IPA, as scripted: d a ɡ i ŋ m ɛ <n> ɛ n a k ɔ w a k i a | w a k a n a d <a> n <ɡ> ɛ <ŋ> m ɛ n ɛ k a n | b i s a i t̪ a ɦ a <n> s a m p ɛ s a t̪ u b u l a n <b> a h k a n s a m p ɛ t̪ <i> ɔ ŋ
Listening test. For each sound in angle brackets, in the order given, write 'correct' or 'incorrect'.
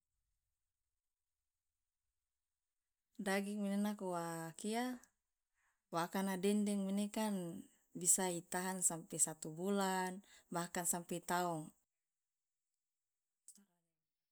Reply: correct, incorrect: ɛ, incorrect: d, correct, correct, correct, incorrect: a

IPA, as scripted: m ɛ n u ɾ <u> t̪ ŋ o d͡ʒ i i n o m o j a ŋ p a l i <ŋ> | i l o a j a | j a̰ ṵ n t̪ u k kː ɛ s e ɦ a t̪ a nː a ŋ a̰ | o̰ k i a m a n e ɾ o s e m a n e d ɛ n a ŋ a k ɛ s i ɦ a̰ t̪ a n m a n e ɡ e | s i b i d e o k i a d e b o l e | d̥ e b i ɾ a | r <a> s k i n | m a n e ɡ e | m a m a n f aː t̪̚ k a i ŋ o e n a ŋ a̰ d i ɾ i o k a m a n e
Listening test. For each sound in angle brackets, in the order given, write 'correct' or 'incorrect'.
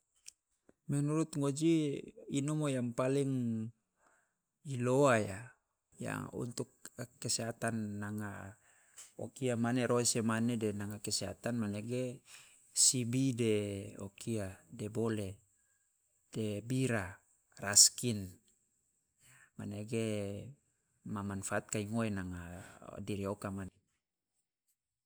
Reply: correct, correct, correct

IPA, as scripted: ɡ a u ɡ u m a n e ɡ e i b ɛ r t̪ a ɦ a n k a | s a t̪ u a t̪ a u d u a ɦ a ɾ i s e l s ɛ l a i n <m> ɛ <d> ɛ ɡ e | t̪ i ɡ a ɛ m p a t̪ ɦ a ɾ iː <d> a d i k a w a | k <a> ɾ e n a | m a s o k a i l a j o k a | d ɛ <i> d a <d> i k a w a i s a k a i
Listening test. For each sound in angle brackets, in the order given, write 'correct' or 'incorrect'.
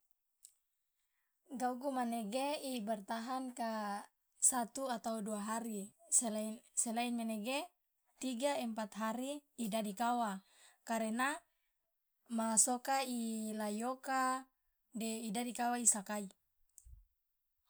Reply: correct, incorrect: n, correct, correct, correct, correct

